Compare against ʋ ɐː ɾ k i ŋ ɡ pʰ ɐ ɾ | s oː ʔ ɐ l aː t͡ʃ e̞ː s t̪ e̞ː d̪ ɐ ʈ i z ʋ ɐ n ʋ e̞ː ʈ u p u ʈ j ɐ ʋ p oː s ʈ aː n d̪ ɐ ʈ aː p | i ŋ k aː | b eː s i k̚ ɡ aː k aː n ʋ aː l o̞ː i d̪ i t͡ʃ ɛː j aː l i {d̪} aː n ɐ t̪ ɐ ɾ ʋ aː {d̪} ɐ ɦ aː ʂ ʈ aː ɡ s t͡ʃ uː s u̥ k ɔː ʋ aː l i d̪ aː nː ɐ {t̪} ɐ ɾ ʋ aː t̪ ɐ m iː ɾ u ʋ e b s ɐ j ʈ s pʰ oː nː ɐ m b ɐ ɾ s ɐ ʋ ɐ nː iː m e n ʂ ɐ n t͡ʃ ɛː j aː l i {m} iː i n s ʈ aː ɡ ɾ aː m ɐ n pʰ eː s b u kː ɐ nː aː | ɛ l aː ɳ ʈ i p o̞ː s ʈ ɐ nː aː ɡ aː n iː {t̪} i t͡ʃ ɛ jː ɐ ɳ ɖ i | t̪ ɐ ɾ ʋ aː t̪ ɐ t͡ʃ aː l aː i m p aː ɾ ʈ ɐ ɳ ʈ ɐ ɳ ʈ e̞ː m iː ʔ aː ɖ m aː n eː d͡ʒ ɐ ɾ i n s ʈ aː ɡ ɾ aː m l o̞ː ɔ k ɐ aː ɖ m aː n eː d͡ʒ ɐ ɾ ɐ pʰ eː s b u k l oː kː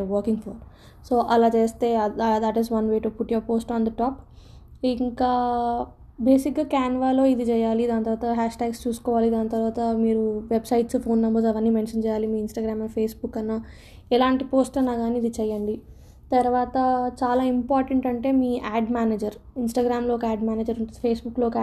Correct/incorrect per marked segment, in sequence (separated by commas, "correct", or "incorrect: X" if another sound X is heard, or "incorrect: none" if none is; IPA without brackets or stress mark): correct, incorrect: t̪, correct, correct, incorrect: d̪